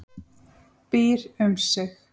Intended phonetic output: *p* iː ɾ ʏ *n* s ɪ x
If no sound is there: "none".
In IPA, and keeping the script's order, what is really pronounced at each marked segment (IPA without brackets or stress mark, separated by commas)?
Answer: p, m